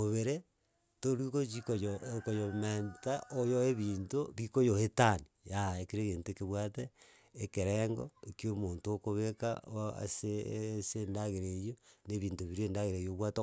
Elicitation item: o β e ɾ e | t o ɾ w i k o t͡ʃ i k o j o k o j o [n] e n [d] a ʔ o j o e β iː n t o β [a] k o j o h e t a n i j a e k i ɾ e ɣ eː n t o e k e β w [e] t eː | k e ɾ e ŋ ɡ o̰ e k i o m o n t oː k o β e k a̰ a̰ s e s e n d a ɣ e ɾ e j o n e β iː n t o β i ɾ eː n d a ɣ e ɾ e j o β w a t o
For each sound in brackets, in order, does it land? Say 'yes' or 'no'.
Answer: no, no, no, no

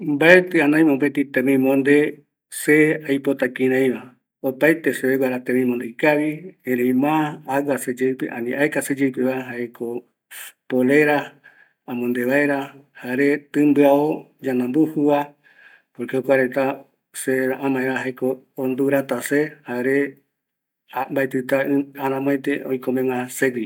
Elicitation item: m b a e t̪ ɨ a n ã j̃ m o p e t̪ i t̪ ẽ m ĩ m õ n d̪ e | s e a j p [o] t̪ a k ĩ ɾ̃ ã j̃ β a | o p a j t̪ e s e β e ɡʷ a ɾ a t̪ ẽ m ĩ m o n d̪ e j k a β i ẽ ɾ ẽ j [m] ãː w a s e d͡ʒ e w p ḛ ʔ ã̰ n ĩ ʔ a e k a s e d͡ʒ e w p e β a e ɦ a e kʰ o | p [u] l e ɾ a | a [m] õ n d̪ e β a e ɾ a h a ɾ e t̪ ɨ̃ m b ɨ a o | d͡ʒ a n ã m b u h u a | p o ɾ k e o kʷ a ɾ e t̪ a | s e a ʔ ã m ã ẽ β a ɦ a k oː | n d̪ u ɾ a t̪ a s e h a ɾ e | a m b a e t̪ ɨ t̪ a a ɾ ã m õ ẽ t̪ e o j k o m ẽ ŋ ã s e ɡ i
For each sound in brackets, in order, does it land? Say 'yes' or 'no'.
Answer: yes, yes, no, yes

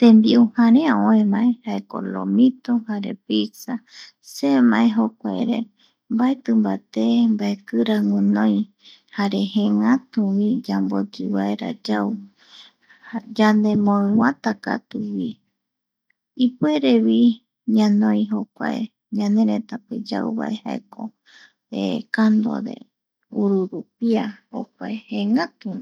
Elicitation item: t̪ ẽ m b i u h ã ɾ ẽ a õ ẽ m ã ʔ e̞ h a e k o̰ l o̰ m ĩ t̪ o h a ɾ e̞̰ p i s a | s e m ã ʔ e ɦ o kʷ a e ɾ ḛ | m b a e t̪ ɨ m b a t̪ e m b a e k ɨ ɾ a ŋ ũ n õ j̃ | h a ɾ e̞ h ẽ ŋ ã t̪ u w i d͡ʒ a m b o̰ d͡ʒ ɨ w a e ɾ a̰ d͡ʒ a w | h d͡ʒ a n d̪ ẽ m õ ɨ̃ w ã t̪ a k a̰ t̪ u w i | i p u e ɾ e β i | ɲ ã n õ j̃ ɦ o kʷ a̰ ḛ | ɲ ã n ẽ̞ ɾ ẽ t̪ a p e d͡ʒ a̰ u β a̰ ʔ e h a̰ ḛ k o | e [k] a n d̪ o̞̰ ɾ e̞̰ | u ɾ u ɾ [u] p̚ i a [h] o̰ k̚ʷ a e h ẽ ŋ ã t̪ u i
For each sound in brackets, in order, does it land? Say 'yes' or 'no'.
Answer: yes, yes, yes

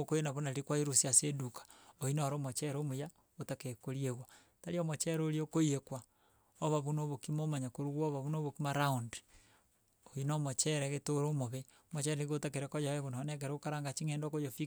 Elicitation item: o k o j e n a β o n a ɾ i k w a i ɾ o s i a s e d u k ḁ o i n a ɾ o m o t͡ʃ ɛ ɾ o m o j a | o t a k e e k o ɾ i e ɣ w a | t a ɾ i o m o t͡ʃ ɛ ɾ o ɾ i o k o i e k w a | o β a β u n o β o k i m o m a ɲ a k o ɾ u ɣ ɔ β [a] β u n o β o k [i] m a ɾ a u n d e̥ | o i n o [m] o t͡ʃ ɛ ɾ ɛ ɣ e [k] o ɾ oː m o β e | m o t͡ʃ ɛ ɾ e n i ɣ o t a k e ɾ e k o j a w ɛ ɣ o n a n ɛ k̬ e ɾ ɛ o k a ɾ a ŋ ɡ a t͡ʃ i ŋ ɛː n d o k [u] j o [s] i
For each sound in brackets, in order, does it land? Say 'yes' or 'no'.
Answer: yes, yes, yes, no, no, no

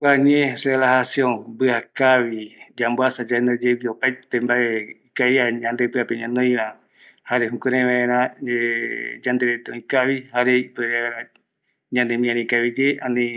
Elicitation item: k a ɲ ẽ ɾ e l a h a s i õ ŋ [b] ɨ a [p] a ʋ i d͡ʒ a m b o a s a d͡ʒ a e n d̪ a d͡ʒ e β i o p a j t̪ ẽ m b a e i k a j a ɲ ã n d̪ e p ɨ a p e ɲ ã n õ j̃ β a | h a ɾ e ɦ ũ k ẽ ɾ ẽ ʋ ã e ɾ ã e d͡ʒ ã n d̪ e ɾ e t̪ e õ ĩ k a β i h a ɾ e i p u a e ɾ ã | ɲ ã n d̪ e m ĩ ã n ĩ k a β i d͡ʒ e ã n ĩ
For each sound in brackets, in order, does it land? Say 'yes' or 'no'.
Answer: yes, no

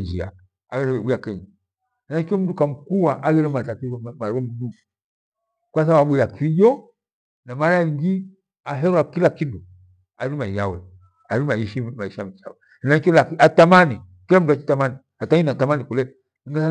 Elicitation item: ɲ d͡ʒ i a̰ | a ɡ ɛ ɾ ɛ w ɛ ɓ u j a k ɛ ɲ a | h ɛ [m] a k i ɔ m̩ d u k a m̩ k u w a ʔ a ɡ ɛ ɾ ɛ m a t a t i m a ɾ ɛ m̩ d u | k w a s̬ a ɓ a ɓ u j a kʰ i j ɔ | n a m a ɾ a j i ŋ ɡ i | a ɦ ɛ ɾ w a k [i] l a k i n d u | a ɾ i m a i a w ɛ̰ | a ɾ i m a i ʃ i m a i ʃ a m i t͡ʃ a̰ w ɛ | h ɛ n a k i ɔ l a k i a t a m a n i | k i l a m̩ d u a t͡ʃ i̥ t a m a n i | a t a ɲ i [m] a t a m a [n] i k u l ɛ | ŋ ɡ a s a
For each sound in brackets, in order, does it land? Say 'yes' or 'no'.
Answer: no, yes, no, yes

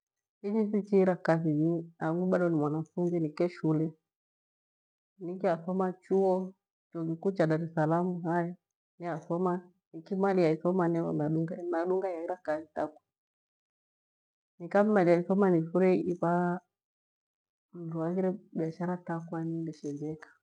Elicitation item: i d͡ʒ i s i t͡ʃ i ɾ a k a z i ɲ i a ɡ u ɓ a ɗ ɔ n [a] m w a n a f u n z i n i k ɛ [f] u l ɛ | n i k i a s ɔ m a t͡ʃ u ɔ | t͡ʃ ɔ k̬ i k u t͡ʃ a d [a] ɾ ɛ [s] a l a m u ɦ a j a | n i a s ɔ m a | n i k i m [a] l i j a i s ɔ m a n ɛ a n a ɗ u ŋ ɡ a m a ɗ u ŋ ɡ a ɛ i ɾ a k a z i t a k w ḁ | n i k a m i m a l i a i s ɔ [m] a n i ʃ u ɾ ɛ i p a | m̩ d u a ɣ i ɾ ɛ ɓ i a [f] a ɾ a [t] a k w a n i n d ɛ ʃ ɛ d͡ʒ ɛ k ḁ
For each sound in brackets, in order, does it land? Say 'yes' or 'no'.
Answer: no, no, yes, yes, yes, yes, no, yes

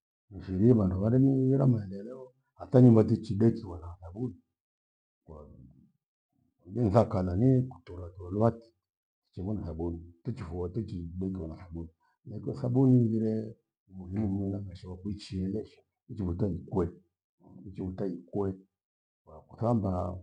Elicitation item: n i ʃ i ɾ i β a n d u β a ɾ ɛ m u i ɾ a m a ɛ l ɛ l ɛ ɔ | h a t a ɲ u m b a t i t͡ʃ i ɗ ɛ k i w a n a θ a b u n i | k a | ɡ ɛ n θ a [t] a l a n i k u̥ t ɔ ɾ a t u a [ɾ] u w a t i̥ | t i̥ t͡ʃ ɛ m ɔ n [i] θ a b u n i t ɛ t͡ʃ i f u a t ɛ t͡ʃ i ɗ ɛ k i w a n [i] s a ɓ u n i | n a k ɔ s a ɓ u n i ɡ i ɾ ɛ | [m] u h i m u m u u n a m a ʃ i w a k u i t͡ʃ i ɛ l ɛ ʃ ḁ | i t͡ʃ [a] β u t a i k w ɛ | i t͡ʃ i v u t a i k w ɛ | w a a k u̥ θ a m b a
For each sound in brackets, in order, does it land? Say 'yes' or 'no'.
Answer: no, no, no, no, yes, no

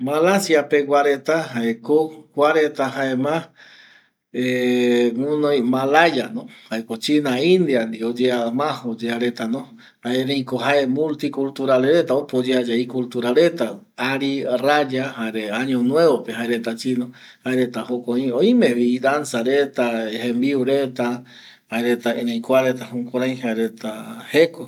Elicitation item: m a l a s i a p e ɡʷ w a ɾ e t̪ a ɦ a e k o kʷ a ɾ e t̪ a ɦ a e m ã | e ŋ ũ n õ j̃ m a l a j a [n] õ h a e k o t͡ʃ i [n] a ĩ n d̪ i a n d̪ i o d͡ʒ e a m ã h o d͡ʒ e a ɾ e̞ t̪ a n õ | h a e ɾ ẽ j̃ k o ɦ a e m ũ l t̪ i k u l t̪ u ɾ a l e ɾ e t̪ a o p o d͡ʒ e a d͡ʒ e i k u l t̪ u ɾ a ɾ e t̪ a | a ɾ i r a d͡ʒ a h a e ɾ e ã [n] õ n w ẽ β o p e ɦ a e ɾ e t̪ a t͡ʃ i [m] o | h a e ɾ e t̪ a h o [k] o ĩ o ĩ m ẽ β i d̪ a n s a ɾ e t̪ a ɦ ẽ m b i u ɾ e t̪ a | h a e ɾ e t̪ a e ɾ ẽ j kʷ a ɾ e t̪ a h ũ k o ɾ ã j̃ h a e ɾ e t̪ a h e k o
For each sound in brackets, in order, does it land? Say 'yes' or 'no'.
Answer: yes, yes, no, no, yes

